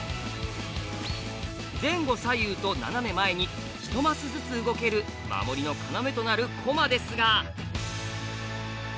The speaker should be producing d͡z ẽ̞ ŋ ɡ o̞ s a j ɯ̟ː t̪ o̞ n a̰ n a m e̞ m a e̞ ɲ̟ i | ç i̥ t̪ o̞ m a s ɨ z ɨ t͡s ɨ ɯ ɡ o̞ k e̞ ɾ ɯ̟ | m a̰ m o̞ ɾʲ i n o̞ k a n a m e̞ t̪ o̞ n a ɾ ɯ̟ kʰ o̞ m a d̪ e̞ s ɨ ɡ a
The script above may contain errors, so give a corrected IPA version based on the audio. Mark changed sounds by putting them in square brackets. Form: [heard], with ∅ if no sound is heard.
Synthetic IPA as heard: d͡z ẽ̞ ŋ ɡ o̞ s a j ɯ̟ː t̪ o̞ n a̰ n a m e̞ m a e̞ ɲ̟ i | ç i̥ t̪ o̞ m a s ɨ z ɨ t͡s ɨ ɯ ɡ o̞ k e̞ ɾ ɯ̟ | m a̰ m o̞ ɾʲ i n o̞ k a n a m e̞ t̪ o̞ n a ɾ ɯ̟ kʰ o̞ m a d̪ e̞ s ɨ ɡ a